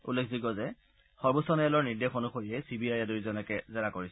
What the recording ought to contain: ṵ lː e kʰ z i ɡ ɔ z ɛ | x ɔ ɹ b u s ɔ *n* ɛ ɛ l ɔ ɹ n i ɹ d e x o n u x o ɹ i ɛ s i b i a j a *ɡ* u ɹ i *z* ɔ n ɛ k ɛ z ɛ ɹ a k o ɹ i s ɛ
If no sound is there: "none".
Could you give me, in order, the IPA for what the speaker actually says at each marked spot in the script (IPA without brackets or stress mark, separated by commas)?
n, d, z